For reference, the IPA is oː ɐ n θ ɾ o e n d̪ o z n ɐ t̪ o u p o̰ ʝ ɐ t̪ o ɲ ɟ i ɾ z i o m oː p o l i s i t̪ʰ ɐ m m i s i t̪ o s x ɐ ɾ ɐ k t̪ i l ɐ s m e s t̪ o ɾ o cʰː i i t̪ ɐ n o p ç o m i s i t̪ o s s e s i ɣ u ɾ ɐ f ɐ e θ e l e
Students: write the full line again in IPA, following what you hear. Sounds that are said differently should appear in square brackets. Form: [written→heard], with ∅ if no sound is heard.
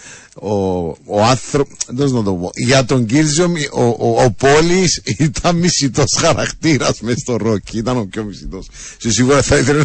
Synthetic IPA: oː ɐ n θ ɾ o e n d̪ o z n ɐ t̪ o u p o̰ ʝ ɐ t̪ o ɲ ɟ i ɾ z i o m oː p o l i s i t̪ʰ ɐ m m i s i t̪ o s x ɐ ɾ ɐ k t̪ i [l→ɾ] ɐ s m e s t̪ o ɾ o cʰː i i t̪ ɐ n o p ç o m i s i t̪ o s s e s i ɣ u ɾ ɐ [f→θ] ɐ [e→i] θ e l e